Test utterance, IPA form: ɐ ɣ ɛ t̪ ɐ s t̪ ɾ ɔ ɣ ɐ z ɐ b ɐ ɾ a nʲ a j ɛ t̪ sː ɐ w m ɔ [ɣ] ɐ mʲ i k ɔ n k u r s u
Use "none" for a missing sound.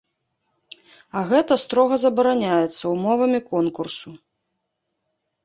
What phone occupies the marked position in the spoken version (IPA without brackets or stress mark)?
v